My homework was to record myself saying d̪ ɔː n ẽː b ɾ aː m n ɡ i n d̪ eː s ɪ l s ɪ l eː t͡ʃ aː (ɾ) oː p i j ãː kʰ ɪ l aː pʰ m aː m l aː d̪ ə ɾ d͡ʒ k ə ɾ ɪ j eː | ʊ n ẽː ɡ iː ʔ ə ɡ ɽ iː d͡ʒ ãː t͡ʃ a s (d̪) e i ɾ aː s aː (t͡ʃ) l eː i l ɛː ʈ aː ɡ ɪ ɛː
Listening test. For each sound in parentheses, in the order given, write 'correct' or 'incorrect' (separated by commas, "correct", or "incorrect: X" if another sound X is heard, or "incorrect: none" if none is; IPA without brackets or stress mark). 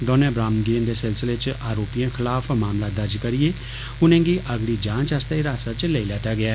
correct, incorrect: t̪, correct